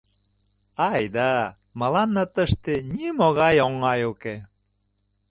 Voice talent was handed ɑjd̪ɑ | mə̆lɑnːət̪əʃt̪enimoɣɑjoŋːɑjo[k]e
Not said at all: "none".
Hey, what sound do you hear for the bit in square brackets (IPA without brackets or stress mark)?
k